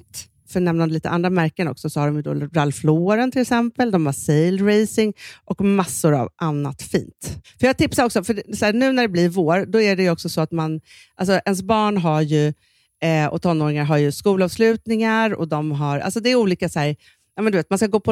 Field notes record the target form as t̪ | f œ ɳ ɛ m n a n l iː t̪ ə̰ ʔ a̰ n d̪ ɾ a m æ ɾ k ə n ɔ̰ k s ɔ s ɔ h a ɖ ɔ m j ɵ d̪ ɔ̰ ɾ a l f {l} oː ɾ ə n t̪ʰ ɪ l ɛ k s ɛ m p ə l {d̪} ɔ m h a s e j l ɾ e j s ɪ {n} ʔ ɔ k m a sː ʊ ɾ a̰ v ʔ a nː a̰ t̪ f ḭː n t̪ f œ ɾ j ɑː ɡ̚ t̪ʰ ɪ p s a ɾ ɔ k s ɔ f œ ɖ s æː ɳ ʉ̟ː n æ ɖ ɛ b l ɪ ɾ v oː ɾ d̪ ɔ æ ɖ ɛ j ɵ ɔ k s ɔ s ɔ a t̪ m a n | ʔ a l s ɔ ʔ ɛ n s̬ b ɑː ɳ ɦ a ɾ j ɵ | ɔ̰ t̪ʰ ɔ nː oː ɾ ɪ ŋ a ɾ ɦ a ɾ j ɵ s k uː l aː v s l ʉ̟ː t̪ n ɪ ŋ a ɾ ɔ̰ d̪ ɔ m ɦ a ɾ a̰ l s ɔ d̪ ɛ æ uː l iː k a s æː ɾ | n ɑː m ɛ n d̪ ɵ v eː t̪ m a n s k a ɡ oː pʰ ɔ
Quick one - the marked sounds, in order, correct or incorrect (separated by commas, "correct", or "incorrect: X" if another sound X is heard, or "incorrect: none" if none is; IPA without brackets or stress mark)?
correct, correct, incorrect: ŋ